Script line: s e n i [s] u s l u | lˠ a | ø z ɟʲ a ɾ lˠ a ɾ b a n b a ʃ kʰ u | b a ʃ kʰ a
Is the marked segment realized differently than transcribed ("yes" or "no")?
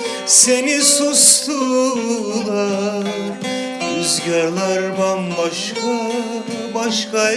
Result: no